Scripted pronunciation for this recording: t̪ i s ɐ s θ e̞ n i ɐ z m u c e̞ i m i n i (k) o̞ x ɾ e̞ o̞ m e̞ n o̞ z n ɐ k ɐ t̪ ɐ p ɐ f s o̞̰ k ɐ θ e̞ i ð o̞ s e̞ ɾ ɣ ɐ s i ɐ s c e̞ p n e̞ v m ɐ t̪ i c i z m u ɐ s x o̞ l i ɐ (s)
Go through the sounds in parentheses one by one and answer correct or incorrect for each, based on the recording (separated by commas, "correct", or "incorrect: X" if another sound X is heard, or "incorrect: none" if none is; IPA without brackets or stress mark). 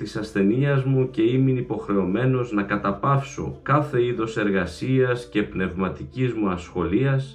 incorrect: p, correct